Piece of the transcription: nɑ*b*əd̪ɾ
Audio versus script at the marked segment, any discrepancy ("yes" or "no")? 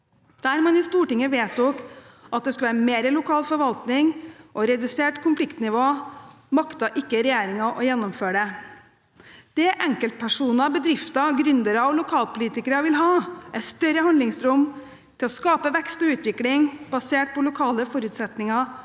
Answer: no